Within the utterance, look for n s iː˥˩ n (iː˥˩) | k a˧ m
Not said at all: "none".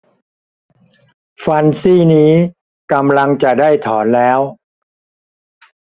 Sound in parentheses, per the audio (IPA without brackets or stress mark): iː˦˥